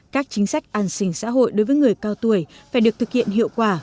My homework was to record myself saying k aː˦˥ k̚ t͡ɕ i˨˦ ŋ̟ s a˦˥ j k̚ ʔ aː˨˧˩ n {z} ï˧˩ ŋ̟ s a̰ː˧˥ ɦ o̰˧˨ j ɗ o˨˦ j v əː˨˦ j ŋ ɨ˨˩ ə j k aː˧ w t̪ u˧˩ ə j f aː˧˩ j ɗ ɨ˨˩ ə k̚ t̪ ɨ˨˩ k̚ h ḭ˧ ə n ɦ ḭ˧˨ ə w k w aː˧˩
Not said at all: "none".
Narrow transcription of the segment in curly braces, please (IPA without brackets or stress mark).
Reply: s